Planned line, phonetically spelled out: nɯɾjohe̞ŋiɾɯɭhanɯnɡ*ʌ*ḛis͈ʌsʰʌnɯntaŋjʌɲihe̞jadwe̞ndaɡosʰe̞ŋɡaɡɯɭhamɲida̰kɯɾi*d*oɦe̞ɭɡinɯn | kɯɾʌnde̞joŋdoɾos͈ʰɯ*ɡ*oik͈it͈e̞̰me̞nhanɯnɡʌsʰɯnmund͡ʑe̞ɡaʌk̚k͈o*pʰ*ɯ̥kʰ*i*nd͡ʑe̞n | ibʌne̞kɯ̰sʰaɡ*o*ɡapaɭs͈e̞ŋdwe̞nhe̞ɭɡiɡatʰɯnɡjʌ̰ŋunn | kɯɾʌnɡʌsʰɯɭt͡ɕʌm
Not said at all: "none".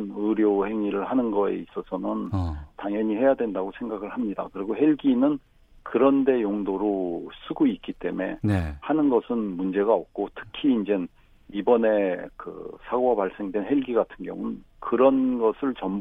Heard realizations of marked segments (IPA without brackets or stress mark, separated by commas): ʌ, ɡ, ɡ, tʰ, iː, o